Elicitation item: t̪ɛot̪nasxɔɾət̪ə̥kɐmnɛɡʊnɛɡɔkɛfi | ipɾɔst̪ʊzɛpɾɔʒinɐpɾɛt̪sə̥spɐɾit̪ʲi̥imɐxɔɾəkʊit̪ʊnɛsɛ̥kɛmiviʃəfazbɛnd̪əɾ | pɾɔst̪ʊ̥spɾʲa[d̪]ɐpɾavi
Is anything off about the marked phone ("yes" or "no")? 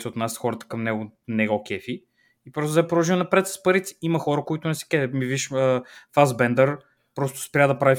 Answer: no